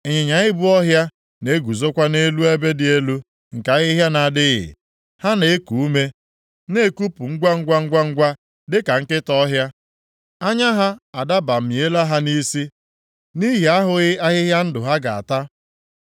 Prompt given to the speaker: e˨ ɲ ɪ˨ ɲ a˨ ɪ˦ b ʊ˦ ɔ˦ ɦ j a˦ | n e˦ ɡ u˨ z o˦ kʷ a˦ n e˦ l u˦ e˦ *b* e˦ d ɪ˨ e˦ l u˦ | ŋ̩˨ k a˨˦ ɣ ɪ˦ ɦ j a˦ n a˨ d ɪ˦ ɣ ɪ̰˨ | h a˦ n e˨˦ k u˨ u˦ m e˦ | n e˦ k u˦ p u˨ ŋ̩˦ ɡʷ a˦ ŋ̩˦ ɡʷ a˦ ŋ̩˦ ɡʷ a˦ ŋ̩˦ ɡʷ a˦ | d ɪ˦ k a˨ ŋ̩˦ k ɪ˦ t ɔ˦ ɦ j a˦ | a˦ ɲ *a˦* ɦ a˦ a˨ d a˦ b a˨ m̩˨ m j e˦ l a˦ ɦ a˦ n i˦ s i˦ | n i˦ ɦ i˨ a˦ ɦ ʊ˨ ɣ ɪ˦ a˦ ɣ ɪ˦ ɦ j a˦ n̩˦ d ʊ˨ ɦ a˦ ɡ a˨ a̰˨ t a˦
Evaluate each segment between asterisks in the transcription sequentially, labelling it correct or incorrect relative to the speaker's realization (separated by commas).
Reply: correct, correct